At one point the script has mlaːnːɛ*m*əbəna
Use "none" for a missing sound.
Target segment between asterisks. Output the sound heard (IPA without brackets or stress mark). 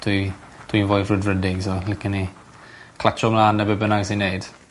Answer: b